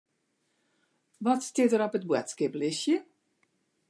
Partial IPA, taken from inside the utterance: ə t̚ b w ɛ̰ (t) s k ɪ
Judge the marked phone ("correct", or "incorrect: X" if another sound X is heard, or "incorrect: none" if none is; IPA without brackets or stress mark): correct